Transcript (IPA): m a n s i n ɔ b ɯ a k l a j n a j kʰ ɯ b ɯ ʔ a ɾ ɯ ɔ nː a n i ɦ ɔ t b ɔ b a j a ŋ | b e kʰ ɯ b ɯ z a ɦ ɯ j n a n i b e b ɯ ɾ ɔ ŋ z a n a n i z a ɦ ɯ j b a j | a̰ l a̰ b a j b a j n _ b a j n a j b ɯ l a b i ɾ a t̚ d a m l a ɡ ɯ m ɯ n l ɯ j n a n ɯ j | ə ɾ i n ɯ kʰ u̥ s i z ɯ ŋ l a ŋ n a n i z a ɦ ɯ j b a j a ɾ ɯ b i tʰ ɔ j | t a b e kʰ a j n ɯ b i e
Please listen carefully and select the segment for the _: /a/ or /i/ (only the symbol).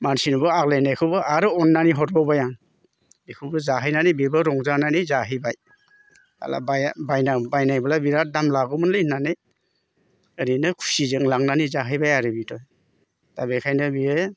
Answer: a